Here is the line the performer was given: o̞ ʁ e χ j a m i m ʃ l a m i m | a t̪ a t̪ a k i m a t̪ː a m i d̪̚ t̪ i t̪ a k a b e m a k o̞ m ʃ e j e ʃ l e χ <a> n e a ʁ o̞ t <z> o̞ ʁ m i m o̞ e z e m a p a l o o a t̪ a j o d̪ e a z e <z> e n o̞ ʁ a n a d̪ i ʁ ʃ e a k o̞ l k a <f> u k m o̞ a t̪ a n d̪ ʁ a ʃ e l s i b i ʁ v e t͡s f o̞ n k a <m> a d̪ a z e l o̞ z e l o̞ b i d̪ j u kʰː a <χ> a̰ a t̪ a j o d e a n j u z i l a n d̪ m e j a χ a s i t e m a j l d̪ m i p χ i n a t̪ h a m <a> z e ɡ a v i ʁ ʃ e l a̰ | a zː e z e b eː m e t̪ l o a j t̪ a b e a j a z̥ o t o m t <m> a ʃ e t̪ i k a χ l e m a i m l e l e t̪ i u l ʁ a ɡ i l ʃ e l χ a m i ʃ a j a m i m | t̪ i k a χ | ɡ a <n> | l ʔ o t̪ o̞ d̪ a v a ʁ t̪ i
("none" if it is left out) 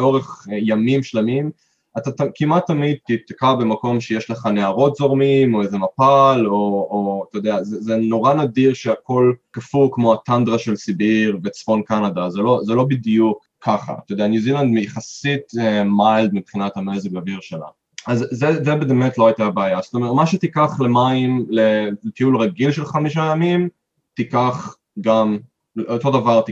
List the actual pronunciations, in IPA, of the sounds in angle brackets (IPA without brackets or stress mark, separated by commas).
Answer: a, z, z, f, n, χ, e, m, m